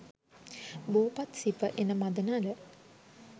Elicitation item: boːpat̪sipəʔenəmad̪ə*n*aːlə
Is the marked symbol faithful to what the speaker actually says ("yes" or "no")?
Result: yes